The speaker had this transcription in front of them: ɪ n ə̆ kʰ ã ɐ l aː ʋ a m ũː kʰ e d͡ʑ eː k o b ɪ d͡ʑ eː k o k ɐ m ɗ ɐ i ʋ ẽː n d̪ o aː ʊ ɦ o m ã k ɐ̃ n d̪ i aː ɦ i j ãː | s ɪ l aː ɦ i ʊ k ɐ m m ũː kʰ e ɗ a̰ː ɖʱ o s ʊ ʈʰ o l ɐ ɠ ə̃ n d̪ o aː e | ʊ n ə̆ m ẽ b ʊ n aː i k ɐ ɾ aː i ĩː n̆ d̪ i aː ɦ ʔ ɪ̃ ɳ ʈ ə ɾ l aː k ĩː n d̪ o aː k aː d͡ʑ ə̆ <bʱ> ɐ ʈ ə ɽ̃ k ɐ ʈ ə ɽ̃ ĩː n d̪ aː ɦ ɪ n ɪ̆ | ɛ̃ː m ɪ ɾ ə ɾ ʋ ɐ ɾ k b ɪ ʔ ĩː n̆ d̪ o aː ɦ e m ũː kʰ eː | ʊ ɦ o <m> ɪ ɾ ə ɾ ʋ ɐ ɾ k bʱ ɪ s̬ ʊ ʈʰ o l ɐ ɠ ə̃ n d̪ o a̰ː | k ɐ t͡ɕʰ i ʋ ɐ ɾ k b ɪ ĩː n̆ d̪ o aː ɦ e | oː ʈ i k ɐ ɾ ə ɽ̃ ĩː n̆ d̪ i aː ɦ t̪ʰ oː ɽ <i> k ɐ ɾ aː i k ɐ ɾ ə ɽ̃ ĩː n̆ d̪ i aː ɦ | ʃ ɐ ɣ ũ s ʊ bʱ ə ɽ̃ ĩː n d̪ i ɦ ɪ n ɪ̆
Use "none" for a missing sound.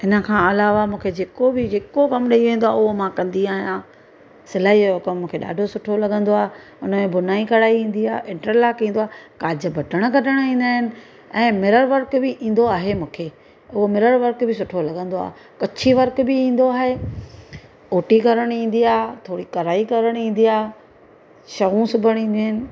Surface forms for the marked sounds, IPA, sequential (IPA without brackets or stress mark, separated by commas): bʱ, m, i